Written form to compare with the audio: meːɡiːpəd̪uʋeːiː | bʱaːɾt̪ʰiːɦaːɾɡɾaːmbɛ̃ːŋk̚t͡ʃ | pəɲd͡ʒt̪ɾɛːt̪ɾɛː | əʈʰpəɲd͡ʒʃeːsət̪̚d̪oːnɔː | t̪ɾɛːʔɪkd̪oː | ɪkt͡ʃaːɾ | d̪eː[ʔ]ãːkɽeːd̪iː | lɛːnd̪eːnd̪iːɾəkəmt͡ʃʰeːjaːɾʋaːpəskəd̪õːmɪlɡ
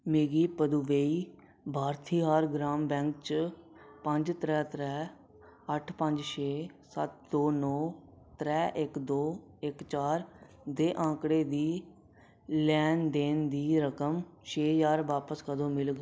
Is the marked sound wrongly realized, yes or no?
no